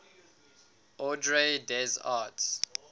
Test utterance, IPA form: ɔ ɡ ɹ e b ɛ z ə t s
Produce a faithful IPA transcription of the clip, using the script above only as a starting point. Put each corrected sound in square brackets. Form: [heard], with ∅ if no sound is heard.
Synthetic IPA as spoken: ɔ [d] ɹ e [d] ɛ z [a] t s